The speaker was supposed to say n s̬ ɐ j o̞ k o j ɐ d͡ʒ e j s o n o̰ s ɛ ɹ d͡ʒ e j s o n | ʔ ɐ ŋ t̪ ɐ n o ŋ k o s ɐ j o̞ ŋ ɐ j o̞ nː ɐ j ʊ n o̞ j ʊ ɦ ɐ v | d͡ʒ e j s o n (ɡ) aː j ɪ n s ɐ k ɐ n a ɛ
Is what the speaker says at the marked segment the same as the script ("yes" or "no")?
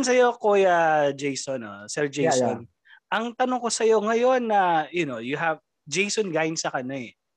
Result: yes